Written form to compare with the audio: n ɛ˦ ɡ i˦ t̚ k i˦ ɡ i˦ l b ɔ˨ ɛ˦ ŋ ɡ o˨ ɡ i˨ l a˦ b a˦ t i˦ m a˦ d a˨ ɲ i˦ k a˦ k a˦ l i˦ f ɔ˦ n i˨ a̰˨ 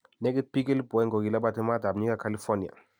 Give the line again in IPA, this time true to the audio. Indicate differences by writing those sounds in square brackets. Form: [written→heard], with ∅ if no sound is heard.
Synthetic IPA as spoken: n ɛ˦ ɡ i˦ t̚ [k→p] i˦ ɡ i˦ l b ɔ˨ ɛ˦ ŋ ɡ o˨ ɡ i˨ l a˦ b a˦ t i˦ m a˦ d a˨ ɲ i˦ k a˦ k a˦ l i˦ f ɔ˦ n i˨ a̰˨